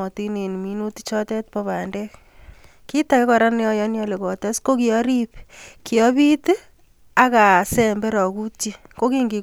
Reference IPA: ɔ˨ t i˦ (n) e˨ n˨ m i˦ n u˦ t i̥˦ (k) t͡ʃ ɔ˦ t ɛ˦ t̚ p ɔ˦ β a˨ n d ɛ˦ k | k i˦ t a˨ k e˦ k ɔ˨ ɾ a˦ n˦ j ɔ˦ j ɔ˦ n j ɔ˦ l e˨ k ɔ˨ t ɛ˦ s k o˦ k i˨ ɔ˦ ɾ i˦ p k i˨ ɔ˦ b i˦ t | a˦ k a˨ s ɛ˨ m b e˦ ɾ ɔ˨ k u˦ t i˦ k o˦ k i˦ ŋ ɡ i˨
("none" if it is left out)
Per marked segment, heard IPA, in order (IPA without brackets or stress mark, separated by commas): n, none